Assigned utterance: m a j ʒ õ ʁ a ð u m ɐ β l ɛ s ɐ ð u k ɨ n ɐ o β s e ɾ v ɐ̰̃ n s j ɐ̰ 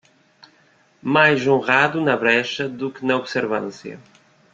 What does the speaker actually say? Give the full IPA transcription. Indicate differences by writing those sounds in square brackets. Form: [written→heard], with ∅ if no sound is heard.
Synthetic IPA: m a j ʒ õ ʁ a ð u [m→n] ɐ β [l→ɾ] ɛ [s→ʃ] ɐ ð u k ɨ n ɐ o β s e ɾ v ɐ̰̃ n s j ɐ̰